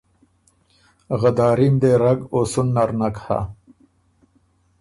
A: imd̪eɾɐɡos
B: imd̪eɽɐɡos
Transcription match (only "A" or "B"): A